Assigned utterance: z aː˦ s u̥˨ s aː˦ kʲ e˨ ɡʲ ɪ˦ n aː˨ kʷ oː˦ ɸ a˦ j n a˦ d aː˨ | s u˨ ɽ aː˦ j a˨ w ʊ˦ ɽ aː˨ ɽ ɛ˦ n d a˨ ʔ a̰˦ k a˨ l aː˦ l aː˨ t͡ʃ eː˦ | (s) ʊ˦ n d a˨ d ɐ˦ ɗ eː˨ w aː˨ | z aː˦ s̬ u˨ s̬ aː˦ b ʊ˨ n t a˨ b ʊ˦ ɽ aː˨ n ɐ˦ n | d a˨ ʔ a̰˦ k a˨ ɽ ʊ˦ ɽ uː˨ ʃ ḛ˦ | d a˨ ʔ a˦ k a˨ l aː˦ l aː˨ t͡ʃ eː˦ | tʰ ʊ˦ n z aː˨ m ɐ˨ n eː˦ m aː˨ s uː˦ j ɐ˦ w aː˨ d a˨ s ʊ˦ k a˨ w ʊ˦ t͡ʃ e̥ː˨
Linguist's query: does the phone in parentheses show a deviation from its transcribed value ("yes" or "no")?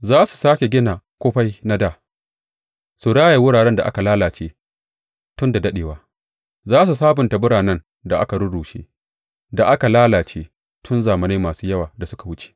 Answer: yes